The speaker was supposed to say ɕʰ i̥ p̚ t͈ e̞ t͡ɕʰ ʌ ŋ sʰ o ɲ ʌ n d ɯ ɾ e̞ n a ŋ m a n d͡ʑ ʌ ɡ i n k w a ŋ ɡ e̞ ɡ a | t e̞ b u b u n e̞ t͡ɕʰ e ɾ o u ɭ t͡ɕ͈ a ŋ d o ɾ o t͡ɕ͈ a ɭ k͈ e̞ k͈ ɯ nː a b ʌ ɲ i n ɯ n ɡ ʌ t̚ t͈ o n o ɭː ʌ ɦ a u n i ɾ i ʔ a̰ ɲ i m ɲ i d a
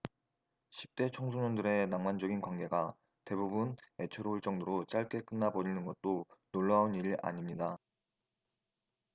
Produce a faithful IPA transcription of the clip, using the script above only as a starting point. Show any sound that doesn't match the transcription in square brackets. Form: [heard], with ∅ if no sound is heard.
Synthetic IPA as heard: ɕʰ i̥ p̚ t͈ e̞ t͡ɕʰ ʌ ŋ sʰ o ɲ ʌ n d ɯ ɾ e̞ n a ŋ m a n d͡ʑ ʌ ɡ i n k w a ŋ ɡ e̞ ɡ a | t e̞ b u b u n e̞ t͡ɕʰ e ɾ o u ɭ t͡ɕ͈ [ʌ] ŋ d o ɾ o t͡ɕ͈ a ɭ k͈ e̞ k͈ ɯ nː a b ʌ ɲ i n ɯ n ɡ ʌ t̚ t͈ o n o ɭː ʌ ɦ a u n i ɾ i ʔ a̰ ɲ i m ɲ i d a